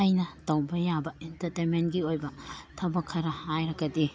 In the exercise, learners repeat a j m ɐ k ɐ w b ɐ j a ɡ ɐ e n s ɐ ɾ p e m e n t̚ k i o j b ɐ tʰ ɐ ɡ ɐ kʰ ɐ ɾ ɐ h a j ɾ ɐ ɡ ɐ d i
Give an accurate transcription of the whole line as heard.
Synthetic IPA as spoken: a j n ɐ t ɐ w b ɐ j a b ɐ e n t ɐ ɾ t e m e n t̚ ɡ i o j b ɐ tʰ ɐ b ɐ kʰ ɐ ɾ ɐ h a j ɾ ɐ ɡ ɐ d i